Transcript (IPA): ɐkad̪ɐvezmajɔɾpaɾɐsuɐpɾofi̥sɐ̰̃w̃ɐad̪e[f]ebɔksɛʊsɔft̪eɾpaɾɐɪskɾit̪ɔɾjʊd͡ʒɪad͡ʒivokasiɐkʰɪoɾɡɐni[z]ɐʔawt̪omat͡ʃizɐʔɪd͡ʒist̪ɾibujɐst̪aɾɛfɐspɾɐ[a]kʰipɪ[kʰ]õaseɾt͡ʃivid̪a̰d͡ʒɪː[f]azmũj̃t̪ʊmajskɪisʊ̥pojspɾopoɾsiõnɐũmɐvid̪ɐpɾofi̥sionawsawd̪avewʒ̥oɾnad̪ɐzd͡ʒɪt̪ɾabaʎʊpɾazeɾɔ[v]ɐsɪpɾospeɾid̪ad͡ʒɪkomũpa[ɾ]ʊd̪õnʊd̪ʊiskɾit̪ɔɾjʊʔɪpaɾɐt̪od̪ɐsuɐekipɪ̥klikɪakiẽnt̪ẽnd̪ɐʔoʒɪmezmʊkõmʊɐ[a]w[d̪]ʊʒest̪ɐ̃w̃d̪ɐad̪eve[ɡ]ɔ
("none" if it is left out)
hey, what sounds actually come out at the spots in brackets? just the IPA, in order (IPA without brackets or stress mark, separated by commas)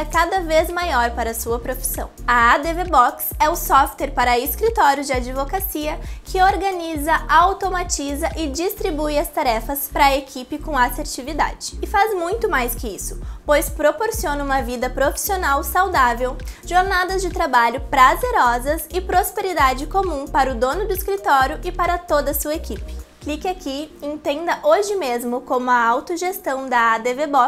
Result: v, z, e, k, f, z, ɾ, a, t̪, b